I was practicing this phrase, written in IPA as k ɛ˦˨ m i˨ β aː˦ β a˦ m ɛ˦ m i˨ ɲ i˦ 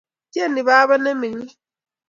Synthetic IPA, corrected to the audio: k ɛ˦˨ n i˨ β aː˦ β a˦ n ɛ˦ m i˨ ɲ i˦